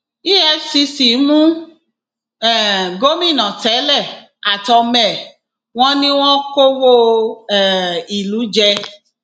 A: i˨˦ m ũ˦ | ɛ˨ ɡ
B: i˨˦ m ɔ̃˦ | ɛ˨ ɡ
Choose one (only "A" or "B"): A